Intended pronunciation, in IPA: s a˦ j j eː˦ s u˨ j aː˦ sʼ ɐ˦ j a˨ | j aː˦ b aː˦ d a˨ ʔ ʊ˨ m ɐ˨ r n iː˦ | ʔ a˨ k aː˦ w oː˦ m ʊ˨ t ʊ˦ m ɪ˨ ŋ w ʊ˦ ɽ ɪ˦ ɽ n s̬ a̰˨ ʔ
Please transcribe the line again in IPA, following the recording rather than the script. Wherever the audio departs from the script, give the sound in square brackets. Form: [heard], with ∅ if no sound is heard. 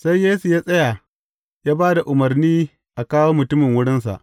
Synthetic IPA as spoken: s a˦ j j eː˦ s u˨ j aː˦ sʼ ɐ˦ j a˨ | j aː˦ b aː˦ d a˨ ʔ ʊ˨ m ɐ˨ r n iː˦ | ʔ a˨ k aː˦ w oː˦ m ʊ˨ t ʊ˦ m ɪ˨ ŋ w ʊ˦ ɽ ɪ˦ [∅] n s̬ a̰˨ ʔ

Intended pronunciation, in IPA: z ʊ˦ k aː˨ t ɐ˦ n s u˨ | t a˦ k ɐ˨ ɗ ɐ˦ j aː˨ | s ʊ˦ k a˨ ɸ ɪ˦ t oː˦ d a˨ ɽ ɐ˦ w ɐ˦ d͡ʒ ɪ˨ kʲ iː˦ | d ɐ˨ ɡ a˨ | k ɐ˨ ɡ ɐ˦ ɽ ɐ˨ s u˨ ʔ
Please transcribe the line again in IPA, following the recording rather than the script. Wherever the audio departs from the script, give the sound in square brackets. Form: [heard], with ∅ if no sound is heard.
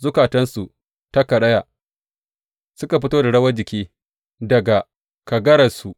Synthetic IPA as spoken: z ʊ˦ k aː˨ t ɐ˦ n s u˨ | t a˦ k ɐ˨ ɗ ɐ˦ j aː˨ | s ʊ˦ k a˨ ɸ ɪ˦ t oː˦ d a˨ ɽ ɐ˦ w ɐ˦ d͡ʒ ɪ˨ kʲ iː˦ | d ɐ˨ ɡ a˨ | k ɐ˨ ɡ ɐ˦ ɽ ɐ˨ s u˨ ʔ

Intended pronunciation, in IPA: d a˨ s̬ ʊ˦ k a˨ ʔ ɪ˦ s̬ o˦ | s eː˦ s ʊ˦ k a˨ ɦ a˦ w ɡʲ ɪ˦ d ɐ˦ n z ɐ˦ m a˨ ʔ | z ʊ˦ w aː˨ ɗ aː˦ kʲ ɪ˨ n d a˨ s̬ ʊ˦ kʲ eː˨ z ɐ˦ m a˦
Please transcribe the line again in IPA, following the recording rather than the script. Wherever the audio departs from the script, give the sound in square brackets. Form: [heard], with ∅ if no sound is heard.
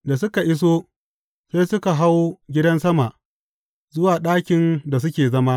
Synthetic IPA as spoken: d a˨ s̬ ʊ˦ k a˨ ʔ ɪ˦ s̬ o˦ | s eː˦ s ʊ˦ k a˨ ɦ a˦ w ɡʲ ɪ˦ d ɐ˦ n [s] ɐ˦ m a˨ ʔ | z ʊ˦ w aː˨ ɗ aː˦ kʲ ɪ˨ n d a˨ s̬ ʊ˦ kʲ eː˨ z ɐ˦ m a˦

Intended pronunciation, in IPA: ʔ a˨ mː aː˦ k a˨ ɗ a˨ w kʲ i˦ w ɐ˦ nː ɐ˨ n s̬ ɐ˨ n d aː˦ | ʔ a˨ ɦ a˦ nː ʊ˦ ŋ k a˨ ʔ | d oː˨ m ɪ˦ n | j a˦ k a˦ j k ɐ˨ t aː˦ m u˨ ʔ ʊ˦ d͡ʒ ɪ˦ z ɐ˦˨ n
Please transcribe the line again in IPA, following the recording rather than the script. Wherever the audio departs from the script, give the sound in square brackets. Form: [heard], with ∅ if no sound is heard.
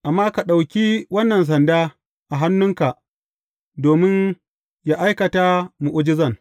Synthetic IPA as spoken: ʔ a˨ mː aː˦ k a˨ ɗ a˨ w kʲ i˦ w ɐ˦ nː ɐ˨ n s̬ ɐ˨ n d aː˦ | ʔ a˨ ɦ a˦ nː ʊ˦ ŋ k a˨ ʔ | d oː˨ m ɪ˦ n | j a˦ [ʔ] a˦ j k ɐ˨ t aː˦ m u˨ ʔ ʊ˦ d͡ʒ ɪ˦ z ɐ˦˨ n

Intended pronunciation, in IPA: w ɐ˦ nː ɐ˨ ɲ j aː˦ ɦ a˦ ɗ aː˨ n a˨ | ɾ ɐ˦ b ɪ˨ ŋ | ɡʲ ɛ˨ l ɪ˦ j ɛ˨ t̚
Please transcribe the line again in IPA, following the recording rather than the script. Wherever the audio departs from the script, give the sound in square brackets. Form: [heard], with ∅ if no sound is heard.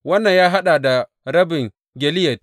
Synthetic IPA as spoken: w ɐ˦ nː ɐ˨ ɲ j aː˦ ɦ a˦ ɗ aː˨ [d] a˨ | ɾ ɐ˦ b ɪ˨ ŋ | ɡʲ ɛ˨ l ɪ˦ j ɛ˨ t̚

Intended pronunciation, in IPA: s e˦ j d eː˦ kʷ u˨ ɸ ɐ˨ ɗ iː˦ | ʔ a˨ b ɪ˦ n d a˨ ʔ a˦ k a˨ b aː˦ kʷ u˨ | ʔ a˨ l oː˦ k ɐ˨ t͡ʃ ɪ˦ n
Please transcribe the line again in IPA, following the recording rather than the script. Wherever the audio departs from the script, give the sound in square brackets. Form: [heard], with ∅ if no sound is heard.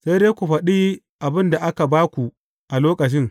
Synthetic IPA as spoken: s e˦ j d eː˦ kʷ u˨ ɸ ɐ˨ ɗ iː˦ | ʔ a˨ b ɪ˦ n d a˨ ʔ a˦ k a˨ b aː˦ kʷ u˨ | ʔ a˨ l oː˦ k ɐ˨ t͡ʃ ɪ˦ [ŋ]

